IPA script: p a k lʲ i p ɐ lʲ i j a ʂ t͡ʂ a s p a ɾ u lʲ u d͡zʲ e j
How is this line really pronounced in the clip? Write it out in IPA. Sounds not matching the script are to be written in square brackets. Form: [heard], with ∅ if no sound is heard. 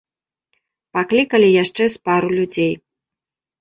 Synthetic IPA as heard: p a k lʲ i [k] ɐ lʲ i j a ʂ t͡ʂ [ɛ] s p a ɾ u lʲ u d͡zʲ e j